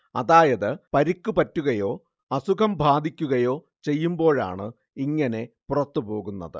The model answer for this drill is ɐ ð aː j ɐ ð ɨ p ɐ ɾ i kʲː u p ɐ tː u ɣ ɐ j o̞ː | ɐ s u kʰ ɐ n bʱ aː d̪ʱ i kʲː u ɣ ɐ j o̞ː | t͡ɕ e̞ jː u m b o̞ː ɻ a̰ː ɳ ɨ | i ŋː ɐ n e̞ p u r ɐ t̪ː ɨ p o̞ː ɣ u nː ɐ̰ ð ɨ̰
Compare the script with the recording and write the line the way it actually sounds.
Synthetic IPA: ɐ ð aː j ɐ ð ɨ p ɐ ɾ i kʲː u p ɐ tː u ɣ ɐ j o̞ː | ɐ s u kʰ ɐ m bʱ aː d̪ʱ i kʲː u ɣ ɐ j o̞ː | t͡ɕ e̞ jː u m b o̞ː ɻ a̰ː ɳ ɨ | i ŋː ɐ n e̞ p u r ɐ t̪ː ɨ p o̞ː ɣ u nː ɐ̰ ð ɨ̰